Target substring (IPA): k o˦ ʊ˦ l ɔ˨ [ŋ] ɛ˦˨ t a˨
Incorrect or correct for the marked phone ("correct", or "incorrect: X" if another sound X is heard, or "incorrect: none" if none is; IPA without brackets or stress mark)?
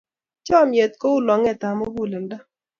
correct